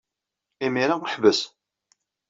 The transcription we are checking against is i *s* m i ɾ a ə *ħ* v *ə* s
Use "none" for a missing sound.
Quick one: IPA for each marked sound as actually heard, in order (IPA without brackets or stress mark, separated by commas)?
none, ħ, ə